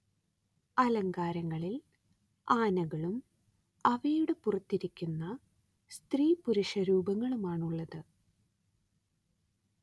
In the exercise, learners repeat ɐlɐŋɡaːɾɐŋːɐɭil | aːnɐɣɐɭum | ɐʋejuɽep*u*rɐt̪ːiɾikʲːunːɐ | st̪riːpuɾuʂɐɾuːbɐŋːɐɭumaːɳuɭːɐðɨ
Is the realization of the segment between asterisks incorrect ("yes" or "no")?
no